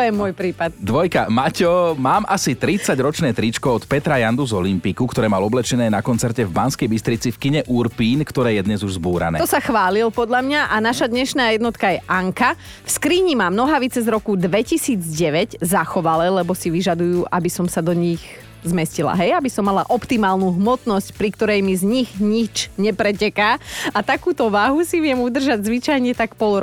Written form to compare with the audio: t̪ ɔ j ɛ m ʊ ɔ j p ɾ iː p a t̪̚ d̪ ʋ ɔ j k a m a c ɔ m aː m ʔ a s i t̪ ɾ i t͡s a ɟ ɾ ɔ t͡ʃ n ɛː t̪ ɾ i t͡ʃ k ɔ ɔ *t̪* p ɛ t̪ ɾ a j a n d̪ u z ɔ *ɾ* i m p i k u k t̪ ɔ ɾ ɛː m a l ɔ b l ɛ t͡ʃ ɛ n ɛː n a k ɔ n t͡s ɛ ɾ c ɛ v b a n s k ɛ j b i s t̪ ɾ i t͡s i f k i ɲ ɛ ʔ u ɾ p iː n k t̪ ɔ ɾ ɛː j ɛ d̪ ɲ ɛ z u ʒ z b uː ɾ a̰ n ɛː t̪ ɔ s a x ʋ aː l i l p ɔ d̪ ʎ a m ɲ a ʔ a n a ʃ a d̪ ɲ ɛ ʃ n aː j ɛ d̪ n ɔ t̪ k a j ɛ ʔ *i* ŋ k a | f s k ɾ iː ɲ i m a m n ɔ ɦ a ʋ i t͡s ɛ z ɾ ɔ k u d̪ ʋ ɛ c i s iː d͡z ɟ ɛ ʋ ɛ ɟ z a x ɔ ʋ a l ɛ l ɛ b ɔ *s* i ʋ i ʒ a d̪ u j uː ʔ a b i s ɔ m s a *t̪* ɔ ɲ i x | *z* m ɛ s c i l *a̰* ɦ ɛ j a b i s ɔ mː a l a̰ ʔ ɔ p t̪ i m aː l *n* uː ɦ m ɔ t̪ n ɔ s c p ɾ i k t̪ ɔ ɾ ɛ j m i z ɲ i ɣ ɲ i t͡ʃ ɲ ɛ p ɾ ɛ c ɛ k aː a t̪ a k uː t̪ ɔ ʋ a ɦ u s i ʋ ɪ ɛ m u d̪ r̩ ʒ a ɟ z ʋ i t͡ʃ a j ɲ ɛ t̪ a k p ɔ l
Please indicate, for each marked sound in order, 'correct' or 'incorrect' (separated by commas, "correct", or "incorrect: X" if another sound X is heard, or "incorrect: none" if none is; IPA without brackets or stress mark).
correct, incorrect: l, incorrect: a, correct, incorrect: d̪, correct, correct, correct